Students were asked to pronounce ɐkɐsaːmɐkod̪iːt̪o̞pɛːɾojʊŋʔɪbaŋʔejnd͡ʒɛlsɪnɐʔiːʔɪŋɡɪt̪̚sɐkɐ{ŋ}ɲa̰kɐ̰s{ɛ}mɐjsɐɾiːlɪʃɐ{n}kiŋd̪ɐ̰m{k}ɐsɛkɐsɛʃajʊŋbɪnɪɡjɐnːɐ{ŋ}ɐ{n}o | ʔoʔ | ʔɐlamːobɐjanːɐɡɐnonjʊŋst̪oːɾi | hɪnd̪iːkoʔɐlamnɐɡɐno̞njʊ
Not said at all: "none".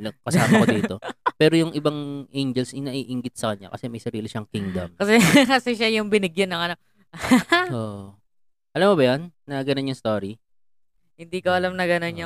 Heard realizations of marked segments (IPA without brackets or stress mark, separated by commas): ɲ, ɛ, ŋ, k, ŋ, n